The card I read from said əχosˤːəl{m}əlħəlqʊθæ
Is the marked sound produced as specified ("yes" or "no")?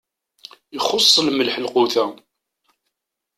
yes